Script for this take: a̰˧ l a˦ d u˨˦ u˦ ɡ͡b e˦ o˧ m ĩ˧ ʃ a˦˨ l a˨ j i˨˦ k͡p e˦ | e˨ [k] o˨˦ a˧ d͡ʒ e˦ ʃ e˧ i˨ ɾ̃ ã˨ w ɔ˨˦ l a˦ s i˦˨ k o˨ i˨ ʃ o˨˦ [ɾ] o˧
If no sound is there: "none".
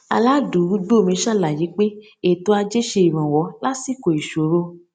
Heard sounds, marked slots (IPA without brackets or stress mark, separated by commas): t, ɾ